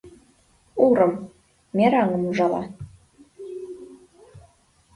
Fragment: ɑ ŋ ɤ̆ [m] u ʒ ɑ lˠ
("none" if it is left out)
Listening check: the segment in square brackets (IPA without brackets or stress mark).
m